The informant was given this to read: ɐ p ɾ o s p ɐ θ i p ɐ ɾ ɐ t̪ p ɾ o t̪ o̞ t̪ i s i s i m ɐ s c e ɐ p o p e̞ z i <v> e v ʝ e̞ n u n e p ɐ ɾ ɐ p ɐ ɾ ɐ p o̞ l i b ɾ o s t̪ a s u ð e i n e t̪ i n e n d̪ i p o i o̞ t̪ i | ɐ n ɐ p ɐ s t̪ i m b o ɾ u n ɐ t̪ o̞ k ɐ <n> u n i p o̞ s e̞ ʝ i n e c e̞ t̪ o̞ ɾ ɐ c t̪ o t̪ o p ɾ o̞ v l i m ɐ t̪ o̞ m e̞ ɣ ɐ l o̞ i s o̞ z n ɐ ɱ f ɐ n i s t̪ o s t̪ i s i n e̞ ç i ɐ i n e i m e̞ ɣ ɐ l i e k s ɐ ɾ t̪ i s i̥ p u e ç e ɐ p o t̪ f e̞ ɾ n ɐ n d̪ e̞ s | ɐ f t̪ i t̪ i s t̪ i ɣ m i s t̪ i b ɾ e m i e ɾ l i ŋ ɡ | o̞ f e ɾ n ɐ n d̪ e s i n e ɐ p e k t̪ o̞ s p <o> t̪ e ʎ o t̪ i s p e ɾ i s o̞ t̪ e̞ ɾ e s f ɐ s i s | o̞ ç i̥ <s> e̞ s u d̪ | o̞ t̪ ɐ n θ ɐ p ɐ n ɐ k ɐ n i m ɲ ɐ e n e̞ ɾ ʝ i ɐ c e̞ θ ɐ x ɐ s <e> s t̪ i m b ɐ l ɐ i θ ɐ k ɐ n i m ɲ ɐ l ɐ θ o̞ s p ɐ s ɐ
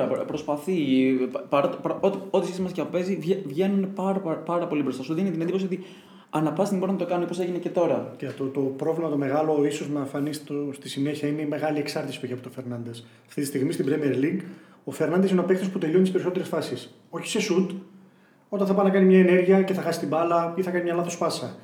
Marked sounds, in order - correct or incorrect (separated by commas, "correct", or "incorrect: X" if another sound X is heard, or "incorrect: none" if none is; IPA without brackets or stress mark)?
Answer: correct, correct, incorrect: u, correct, incorrect: i